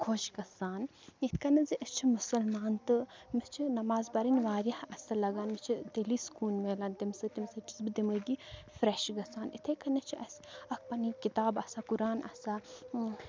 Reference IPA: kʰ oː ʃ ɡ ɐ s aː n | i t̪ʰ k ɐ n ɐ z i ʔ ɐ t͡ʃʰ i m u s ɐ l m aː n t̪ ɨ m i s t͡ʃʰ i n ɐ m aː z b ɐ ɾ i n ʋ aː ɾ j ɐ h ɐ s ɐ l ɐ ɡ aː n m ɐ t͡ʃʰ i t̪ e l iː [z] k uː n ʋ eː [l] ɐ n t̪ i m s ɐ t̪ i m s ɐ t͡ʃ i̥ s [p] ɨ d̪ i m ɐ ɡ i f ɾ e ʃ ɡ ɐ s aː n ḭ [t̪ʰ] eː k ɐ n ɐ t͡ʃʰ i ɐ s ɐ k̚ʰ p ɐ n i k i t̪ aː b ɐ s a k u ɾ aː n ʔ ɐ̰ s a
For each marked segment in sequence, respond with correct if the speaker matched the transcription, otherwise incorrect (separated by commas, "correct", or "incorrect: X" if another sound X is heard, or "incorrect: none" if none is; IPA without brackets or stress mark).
incorrect: s, correct, incorrect: b, correct